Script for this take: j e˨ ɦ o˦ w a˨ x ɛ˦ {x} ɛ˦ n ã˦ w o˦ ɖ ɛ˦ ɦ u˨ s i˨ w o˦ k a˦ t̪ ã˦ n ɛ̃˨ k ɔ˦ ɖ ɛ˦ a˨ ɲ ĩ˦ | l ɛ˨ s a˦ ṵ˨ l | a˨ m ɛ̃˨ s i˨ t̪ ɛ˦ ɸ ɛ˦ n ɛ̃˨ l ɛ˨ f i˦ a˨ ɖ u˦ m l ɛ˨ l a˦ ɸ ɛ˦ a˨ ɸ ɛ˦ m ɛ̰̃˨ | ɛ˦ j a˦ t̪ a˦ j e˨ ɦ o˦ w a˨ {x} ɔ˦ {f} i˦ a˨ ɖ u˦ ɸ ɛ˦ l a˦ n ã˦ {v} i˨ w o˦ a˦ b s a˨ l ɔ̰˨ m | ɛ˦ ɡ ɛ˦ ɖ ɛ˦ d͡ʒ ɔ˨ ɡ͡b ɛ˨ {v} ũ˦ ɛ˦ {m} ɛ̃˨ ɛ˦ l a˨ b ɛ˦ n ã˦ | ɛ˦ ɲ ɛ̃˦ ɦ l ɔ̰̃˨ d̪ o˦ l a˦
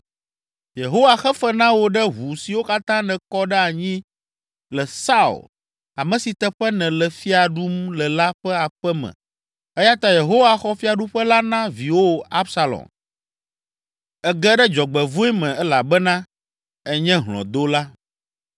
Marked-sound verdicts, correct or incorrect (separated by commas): incorrect, correct, correct, correct, correct, correct